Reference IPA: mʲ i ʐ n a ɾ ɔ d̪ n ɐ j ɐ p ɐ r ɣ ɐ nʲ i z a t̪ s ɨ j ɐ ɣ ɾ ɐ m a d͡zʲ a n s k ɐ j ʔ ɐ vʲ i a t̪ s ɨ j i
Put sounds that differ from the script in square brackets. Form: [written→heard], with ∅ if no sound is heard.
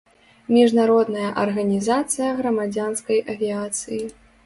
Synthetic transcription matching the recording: mʲ i ʐ n a ɾ ɔ d̪ n ɐ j ɐ [p→ʔ] ɐ r ɣ ɐ nʲ i z a t̪ s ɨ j ɐ ɣ ɾ ɐ m a d͡zʲ a n s k ɐ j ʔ ɐ vʲ i a t̪ s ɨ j i

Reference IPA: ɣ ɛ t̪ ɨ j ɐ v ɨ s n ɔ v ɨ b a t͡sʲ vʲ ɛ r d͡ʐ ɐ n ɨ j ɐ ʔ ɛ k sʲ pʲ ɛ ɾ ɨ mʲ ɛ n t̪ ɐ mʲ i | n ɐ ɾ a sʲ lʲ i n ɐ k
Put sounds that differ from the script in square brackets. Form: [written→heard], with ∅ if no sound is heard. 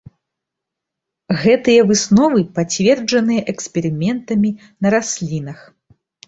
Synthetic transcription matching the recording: ɣ ɛ t̪ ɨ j ɐ v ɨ s n ɔ v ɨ [b→p] a t͡sʲ vʲ ɛ r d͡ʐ ɐ n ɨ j ɐ ʔ ɛ k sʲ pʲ ɛ ɾ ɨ mʲ ɛ n t̪ ɐ mʲ i | n ɐ ɾ a sʲ lʲ i n ɐ [k→x]

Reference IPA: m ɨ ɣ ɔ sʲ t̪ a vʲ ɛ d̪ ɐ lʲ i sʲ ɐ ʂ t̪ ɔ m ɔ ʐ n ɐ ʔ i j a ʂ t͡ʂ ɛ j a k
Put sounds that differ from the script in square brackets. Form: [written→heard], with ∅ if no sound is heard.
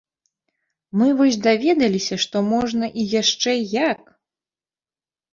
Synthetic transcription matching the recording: m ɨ [ɣ→v] ɔ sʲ [t̪→d̪] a vʲ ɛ d̪ ɐ lʲ i sʲ ɐ ʂ t̪ ɔ m ɔ ʐ n ɐ ʔ i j a ʂ t͡ʂ ɛ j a k

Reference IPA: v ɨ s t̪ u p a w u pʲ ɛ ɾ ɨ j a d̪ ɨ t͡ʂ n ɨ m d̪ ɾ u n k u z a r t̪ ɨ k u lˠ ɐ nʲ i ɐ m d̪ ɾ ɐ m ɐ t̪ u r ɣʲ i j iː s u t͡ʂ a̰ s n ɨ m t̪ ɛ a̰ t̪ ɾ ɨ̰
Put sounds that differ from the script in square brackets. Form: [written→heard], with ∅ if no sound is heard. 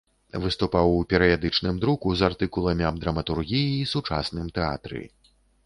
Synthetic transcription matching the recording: v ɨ s t̪ u p a w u pʲ ɛ ɾ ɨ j a d̪ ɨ t͡ʂ n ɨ m d̪ ɾ u [n→∅] k u z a r t̪ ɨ k u lˠ ɐ [nʲ→mʲ] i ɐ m d̪ ɾ ɐ m ɐ t̪ u r ɣʲ i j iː s u t͡ʂ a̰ s n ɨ m t̪ ɛ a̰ t̪ ɾ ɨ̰

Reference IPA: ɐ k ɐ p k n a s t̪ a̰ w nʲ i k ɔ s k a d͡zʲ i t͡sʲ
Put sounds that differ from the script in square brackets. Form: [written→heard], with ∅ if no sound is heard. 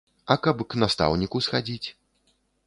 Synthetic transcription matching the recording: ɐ k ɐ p k n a s t̪ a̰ w nʲ i k [ɔ→u] s [k→x] a d͡zʲ i t͡sʲ

